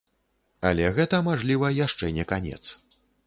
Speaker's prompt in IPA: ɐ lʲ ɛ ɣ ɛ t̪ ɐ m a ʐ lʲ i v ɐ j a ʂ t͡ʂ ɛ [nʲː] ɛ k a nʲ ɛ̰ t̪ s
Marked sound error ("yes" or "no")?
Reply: yes